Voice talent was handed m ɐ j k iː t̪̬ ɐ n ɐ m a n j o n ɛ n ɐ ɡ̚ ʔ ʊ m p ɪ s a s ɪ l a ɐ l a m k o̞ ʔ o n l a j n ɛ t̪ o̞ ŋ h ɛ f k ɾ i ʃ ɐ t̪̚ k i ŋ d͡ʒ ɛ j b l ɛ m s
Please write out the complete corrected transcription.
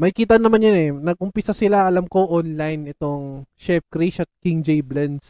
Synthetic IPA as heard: m ɐ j k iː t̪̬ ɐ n ɐ m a n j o n ɛ n ɐ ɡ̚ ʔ ʊ m p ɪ s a s ɪ l a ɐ l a m k o̞ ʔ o n l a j n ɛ t̪ o̞ ŋ ʃ ɛ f k ɾ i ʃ ɐ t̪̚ k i ŋ d͡ʒ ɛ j b l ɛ n s